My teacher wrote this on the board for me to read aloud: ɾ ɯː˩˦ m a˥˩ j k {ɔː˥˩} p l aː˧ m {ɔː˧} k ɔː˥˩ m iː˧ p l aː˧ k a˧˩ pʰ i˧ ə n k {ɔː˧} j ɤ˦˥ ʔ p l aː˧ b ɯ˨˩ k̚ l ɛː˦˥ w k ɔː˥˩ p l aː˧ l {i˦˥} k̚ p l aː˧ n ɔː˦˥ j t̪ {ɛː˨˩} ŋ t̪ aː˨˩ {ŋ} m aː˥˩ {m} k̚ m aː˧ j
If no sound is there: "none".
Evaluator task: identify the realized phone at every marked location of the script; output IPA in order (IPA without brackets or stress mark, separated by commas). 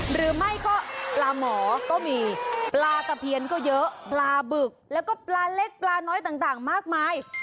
ɔː˥˩, ɔː˩˦, ɔː˥˩, e˦˥, aː˨˩, ŋ, none